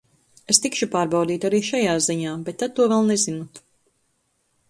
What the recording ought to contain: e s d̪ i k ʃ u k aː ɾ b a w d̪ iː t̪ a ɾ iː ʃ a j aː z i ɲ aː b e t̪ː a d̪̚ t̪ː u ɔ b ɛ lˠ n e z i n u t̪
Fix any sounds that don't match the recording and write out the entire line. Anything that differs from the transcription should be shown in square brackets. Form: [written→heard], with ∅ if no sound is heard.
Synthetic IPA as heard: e s [d̪→t̪] i k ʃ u [k→p] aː ɾ b a w d̪ iː t̪ a ɾ iː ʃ a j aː z i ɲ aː b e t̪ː a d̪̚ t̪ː u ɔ [b→v] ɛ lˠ n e z i n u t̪